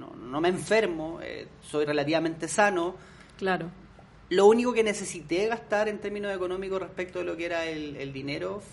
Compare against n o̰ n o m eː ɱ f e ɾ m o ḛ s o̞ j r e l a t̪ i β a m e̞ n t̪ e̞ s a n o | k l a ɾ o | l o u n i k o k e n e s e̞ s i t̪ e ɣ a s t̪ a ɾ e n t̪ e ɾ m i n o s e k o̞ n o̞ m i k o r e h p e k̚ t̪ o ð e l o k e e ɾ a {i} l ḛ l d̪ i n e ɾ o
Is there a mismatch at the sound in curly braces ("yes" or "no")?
yes